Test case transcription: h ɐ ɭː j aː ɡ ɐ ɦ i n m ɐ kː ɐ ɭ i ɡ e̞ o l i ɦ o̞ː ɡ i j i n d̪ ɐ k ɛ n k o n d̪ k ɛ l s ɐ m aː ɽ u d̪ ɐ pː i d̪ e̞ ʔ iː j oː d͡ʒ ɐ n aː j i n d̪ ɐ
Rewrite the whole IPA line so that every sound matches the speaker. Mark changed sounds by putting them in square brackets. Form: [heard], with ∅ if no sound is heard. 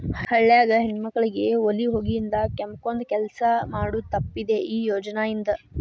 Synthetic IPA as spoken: h ɐ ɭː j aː ɡ ɐ ɦ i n m ɐ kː ɐ ɭ i ɡ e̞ o l i ɦ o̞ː ɡ i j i n d̪ ɐ k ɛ [m] k o n d̪ k ɛ l s ɐ m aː ɽ u [t̪] ɐ pː i d̪ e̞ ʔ iː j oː d͡ʒ ɐ n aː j i n d̪ ɐ